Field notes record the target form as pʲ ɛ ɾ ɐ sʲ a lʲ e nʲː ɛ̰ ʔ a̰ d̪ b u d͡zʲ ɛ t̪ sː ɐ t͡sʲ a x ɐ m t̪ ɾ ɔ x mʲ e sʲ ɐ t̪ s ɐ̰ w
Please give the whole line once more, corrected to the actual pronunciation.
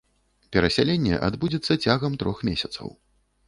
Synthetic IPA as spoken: pʲ ɛ ɾ ɐ sʲ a lʲ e nʲː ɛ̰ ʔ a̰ d̪ b u d͡zʲ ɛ t̪ sː ɐ t͡sʲ a ɣ ɐ m t̪ ɾ ɔ x mʲ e sʲ ɐ t̪ s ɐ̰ w